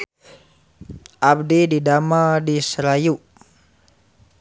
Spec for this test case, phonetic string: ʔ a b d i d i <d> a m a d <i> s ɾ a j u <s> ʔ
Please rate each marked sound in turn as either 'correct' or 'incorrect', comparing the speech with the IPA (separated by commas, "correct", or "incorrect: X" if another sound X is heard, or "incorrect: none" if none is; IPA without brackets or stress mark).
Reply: correct, correct, incorrect: none